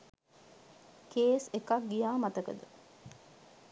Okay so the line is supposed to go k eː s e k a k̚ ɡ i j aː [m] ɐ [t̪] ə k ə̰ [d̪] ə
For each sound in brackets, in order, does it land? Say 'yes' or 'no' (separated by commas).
yes, yes, yes